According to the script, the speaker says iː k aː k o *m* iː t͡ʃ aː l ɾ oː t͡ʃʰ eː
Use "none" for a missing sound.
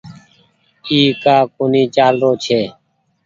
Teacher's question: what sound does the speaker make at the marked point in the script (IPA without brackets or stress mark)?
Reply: n